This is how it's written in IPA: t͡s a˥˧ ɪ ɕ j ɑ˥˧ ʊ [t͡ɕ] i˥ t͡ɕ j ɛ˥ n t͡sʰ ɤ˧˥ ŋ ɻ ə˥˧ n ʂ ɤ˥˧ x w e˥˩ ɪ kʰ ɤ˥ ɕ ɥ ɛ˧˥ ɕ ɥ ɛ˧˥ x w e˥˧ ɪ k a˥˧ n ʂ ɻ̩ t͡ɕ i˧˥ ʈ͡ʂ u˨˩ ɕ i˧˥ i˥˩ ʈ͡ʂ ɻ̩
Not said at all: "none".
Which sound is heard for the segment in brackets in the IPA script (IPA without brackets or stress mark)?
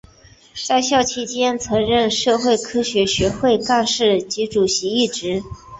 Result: t͡ɕʰ